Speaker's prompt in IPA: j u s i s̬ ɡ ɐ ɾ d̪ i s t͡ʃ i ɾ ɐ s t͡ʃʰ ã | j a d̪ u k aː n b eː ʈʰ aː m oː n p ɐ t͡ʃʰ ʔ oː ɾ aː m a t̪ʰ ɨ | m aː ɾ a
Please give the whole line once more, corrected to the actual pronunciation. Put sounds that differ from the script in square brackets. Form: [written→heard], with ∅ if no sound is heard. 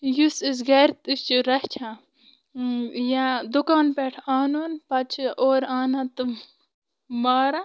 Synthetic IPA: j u s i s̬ ɡ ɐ ɾ [d̪→t̪] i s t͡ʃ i ɾ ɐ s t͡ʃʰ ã | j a d̪ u k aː n [b→p] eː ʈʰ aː [m→n] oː n p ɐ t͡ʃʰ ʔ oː ɾ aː [m→n] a [t̪ʰ→t̪] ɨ | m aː ɾ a